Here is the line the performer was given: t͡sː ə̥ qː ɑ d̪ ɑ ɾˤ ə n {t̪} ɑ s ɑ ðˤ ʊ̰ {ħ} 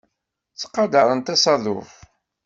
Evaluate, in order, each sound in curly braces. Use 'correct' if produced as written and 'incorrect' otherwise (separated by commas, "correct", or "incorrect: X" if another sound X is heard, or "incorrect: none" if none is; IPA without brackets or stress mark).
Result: correct, incorrect: f